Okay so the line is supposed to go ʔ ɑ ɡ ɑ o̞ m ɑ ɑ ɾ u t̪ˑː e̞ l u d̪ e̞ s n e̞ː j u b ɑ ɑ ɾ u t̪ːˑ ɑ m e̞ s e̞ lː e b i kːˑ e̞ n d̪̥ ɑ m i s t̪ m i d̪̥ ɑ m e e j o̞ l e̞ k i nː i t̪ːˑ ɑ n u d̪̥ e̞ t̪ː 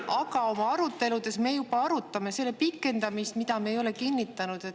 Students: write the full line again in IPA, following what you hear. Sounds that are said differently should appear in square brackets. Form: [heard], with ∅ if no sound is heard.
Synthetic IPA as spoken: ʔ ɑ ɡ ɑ o̞ m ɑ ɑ ɾ u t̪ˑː e̞ l u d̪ e̞ s [m] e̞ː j u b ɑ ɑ ɾ u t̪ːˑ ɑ m e̞ s e̞ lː e [p] i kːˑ e̞ n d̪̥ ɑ m i s t̪ m i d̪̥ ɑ m e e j o̞ l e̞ k i nː i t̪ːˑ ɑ n u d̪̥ e̞ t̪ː